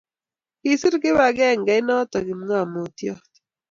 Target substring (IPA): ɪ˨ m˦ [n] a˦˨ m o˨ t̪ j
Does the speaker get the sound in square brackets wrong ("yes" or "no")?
yes